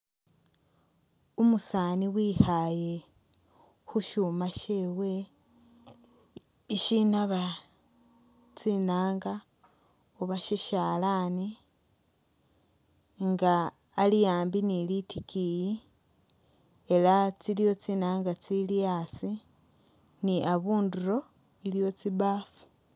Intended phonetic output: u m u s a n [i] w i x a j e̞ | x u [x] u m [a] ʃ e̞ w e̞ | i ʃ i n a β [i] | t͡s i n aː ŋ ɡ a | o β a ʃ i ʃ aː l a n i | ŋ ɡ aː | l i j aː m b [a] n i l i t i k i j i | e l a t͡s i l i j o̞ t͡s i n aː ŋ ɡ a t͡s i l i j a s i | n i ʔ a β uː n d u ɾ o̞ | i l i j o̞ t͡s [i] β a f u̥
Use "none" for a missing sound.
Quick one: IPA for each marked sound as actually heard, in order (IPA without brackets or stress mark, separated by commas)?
i, ʃ, a, a, i, i